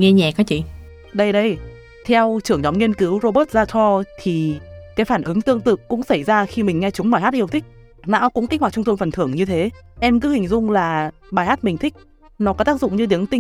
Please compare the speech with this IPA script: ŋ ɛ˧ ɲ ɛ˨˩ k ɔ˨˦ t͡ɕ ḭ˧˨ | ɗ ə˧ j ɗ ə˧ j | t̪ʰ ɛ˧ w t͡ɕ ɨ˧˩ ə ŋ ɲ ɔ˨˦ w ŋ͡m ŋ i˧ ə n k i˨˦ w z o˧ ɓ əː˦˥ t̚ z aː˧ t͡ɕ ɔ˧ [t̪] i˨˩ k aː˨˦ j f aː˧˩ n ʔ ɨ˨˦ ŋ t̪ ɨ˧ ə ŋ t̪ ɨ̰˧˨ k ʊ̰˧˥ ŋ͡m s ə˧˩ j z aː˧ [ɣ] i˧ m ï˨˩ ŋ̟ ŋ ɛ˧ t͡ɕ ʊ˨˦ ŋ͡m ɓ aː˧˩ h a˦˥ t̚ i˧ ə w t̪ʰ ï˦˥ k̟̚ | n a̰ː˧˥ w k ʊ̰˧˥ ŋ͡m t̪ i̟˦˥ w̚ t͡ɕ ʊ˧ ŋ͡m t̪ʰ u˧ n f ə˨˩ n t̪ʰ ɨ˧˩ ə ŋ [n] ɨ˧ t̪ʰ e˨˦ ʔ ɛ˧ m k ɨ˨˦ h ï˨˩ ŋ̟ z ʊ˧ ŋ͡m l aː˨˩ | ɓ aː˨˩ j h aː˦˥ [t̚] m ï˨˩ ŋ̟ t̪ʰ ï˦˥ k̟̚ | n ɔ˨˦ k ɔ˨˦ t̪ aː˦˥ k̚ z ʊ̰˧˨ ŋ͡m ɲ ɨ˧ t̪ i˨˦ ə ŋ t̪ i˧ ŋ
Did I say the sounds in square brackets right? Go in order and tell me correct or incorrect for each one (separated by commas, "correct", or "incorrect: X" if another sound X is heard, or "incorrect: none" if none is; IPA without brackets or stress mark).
incorrect: t̪ʰ, incorrect: x, incorrect: ɲ, correct